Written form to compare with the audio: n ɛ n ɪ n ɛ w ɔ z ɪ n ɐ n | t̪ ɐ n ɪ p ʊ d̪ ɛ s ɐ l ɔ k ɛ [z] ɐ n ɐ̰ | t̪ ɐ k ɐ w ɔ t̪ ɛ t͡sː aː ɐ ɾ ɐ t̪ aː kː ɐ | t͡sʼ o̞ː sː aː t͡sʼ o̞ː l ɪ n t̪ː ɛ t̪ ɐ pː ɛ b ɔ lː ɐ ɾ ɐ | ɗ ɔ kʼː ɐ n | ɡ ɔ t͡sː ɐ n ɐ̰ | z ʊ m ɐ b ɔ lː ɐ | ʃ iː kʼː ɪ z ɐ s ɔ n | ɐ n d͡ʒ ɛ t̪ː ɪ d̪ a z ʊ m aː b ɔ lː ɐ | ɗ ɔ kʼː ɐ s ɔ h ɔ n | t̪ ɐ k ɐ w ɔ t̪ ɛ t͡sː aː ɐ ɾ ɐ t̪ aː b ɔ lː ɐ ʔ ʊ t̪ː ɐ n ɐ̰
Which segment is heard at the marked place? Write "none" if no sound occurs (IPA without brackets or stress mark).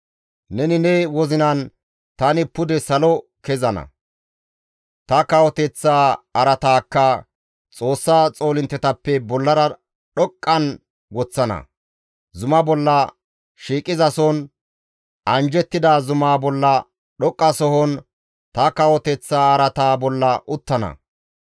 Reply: z